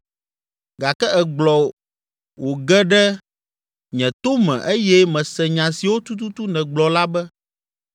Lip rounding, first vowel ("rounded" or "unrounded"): unrounded